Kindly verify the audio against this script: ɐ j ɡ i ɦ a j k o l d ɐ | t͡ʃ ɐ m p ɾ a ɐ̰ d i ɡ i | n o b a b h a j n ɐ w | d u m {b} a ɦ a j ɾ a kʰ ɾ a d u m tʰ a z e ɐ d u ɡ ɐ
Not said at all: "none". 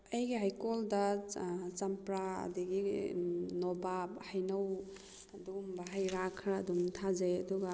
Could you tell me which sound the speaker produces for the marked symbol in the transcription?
b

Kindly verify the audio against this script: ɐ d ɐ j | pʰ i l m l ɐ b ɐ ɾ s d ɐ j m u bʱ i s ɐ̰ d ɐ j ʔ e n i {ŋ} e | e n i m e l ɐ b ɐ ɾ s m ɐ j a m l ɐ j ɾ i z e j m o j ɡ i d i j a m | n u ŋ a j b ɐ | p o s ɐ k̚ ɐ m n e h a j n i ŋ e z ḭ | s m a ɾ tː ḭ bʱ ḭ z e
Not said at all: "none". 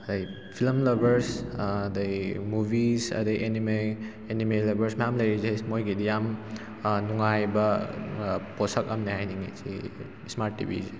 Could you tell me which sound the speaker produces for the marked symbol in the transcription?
m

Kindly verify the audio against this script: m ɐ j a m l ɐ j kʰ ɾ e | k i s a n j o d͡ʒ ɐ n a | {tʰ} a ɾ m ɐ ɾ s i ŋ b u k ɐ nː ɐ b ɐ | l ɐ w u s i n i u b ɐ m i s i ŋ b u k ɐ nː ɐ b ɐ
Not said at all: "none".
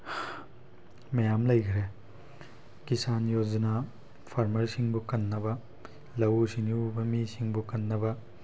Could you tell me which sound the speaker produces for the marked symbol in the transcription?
pʰ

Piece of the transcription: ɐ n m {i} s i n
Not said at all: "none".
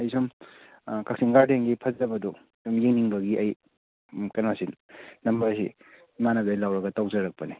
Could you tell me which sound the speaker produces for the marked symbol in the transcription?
a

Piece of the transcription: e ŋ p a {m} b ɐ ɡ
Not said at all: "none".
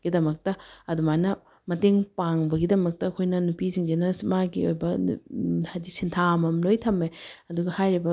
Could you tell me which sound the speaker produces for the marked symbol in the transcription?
ŋ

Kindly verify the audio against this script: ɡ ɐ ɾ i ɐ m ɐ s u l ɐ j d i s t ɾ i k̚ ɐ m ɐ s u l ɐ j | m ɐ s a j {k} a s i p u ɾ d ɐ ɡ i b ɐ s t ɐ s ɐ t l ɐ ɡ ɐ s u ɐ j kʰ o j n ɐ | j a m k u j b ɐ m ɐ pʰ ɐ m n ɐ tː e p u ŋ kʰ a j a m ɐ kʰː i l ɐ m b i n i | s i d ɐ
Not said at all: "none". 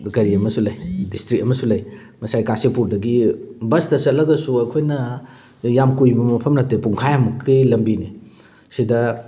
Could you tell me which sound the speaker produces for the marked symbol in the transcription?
k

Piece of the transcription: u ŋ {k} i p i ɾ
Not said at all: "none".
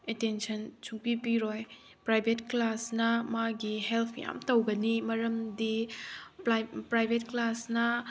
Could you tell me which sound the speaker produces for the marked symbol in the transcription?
p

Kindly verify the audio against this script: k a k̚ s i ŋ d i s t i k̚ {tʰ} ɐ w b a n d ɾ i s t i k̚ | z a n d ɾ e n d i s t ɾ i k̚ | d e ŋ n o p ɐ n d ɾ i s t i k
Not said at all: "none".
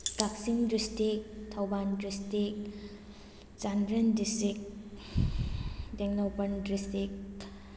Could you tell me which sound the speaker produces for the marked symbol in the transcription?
tʰ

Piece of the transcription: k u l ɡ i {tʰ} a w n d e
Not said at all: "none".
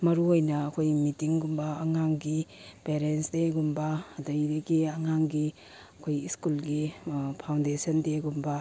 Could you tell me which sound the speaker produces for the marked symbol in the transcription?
pʰ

